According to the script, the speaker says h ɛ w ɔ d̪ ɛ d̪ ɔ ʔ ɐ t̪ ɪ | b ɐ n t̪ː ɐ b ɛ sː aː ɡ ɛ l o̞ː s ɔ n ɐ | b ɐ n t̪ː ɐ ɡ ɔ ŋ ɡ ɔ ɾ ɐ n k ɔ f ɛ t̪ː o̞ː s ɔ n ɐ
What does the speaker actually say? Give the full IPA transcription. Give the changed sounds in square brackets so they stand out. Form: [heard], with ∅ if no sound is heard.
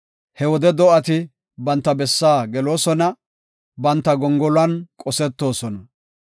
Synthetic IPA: h ɛ w ɔ d̪ ɛ d̪ ɔ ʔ ɐ t̪ ɪ | b ɐ n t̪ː ɐ b ɛ sː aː ɡ ɛ l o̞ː s ɔ n ɐ | b ɐ n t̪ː ɐ ɡ ɔ ŋ ɡ ɔ [l] ɐ n [kʼ] ɔ [s] ɛ t̪ː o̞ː s ɔ n ɐ